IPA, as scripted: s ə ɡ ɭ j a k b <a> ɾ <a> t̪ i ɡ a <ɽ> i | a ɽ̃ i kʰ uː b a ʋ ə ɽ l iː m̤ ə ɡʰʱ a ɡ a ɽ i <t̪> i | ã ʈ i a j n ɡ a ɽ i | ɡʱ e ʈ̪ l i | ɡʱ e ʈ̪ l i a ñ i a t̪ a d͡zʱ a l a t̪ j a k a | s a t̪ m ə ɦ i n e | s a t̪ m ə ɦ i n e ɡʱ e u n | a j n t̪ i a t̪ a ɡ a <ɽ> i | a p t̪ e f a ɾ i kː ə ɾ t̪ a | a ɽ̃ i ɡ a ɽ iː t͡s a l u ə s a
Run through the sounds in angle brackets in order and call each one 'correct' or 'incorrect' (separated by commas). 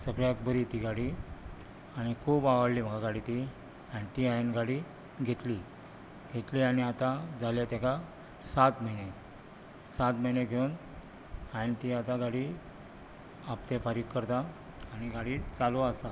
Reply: incorrect, incorrect, correct, correct, correct